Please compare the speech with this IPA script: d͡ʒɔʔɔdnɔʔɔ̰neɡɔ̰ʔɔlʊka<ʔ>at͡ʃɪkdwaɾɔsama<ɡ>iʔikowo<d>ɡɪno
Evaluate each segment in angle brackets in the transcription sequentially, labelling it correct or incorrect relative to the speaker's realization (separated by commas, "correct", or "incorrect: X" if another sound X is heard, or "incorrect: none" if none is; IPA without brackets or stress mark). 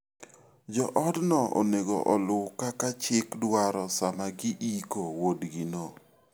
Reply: incorrect: k, correct, correct